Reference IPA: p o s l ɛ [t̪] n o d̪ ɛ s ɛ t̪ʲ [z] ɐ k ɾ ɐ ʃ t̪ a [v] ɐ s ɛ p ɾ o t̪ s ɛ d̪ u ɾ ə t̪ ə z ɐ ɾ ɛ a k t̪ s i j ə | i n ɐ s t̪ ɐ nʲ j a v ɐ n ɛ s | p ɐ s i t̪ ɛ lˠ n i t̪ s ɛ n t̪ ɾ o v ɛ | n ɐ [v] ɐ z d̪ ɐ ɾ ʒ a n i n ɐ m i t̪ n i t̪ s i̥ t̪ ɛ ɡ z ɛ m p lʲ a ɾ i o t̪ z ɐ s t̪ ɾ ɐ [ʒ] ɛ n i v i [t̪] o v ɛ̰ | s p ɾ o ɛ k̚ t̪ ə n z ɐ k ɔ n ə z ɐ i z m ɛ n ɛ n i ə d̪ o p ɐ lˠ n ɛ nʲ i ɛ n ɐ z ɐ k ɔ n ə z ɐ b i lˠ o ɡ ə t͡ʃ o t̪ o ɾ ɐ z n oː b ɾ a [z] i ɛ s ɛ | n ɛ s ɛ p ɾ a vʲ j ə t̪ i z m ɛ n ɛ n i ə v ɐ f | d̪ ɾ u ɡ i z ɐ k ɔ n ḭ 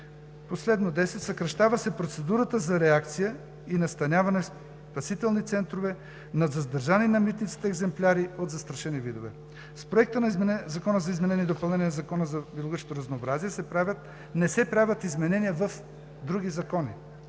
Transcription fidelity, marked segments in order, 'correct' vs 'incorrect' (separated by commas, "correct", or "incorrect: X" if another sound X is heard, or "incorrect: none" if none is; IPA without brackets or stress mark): incorrect: d̪, incorrect: s, correct, incorrect: z, incorrect: ʃ, incorrect: d̪, correct